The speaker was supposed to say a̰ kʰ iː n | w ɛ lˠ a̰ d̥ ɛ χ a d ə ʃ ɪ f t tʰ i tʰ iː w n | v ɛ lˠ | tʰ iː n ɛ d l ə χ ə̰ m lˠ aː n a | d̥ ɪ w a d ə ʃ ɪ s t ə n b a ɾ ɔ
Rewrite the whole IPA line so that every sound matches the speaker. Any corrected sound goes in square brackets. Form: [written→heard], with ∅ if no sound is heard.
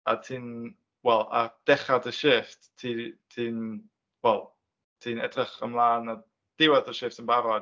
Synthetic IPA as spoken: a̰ [kʰ→tʰ] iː n | w ɛ lˠ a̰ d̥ ɛ χ a d ə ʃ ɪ f t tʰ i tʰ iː [w→∅] n | [v→w] ɛ lˠ | tʰ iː n ɛ d [l→r] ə χ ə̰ m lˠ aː n a | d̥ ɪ w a d ə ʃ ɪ [s→f] t ə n b a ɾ ɔ